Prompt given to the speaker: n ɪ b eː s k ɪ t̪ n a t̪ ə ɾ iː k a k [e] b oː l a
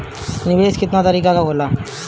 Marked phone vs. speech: incorrect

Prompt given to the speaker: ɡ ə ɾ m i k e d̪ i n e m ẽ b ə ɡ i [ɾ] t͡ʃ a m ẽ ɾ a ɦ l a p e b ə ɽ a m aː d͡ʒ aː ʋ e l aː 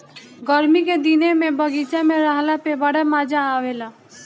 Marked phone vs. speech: incorrect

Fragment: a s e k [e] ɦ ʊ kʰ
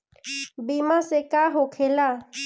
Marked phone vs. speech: incorrect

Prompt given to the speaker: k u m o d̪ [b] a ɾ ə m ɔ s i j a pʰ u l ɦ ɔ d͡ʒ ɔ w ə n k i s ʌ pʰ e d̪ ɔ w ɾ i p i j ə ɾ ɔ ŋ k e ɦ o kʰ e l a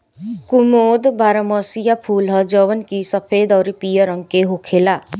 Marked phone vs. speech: correct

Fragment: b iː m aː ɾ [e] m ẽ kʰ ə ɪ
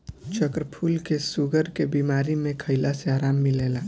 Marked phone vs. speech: incorrect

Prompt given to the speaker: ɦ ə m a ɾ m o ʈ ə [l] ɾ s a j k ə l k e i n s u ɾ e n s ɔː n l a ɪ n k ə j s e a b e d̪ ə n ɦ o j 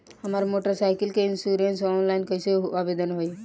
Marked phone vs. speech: incorrect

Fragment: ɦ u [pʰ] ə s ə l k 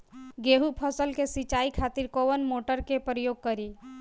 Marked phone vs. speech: correct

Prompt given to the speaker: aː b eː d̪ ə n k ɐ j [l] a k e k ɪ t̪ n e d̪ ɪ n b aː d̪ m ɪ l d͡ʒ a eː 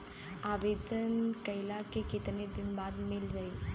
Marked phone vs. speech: correct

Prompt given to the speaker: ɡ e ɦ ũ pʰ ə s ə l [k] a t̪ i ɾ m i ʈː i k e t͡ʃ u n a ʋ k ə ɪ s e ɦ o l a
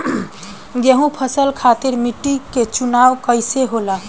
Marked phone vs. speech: incorrect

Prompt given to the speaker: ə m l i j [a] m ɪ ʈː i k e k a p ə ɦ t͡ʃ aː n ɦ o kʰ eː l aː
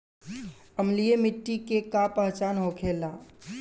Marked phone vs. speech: incorrect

